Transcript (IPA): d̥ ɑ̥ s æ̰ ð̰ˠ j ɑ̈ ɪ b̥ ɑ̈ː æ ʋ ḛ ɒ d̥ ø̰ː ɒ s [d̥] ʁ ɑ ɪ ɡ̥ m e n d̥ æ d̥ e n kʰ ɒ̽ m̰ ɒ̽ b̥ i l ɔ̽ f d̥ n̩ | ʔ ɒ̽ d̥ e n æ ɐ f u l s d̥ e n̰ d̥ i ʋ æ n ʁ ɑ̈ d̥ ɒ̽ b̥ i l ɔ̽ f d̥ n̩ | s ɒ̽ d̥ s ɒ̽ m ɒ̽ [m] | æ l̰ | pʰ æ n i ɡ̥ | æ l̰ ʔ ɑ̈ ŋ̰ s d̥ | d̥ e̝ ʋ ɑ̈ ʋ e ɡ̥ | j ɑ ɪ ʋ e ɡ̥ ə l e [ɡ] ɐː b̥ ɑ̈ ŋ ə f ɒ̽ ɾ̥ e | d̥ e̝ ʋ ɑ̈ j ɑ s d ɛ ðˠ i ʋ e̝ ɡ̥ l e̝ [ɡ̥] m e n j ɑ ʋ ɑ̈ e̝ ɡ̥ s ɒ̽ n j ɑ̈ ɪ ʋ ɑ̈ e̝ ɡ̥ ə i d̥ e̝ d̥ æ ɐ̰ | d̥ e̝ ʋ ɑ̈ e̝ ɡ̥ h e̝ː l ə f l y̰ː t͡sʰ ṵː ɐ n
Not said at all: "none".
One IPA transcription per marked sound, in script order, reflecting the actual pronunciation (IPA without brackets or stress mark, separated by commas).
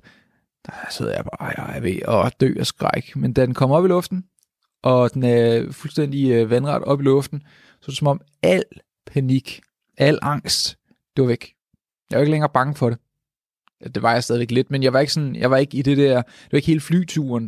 ɡ̥, m, ŋ, d̥